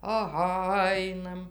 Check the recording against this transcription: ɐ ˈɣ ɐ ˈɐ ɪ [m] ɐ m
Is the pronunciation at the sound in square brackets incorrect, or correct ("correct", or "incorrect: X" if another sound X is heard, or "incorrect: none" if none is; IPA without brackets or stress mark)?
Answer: incorrect: n